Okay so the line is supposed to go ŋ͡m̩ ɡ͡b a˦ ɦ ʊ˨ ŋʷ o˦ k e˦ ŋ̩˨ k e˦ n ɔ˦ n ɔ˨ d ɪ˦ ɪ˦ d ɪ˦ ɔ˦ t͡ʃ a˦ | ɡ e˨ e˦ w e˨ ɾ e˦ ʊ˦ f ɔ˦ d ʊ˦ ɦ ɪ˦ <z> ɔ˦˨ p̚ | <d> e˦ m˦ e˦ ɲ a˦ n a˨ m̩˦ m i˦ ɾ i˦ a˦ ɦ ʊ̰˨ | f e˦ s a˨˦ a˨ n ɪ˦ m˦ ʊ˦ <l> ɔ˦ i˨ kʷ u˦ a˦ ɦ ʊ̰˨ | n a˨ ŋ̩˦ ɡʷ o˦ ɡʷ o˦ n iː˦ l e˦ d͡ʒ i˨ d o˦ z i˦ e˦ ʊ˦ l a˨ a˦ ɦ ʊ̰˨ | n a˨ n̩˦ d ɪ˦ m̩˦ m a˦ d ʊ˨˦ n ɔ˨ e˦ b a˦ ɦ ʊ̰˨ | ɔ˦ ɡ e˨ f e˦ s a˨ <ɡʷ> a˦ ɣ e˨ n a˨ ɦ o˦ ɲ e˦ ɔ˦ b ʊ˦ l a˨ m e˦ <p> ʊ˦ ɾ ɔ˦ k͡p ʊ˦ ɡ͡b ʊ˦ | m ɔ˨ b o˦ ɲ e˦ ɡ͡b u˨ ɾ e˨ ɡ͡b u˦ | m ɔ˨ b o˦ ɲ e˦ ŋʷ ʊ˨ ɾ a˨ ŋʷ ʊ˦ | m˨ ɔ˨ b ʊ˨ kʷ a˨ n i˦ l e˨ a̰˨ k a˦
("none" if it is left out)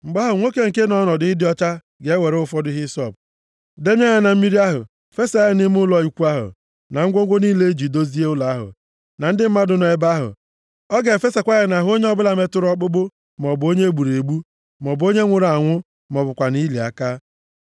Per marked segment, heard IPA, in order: s, d, l, kʷ, t

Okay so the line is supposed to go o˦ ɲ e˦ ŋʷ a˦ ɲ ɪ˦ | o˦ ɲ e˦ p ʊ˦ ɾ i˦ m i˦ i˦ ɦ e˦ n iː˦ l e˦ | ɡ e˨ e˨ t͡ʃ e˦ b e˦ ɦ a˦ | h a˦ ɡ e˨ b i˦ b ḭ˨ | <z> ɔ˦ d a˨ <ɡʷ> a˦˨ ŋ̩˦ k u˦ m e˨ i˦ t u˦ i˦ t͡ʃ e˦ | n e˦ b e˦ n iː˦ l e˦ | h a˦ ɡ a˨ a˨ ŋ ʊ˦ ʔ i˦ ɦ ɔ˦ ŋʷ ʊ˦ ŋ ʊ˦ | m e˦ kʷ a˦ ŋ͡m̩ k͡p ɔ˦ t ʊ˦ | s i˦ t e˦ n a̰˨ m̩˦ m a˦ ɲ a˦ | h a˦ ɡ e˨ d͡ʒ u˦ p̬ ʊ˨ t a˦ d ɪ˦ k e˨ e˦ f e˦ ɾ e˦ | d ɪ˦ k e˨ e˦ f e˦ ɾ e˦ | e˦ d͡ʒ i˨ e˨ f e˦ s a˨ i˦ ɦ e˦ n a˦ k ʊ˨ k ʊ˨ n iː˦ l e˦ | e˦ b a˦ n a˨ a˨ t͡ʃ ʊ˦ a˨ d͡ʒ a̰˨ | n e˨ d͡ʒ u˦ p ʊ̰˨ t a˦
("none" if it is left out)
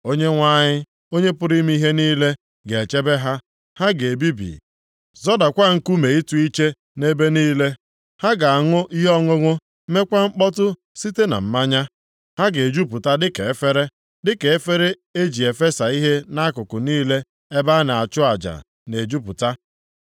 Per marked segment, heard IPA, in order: z, kʷ

